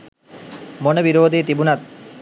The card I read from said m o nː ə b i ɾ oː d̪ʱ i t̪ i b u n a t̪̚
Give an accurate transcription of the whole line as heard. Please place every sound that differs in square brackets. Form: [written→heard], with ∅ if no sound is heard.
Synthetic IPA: m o [nː→n] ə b i ɾ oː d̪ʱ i t̪ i b u n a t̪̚